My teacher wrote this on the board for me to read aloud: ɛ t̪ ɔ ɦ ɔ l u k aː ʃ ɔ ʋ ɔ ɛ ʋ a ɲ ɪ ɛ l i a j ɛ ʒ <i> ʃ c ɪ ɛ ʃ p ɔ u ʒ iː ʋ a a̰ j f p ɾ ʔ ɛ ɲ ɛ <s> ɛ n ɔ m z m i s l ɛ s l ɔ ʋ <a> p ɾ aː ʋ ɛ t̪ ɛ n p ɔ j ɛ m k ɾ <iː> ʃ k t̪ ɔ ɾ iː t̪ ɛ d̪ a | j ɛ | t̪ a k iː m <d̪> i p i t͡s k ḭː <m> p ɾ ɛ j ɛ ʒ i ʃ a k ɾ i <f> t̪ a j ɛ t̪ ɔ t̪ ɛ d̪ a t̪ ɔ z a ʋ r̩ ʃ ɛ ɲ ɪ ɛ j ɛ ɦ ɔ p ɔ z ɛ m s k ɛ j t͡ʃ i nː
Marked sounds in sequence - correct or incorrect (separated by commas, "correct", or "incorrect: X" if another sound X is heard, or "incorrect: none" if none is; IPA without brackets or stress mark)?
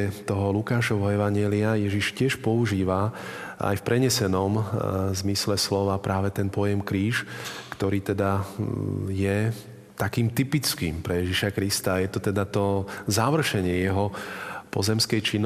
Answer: correct, correct, correct, correct, incorrect: t̪, correct, incorrect: s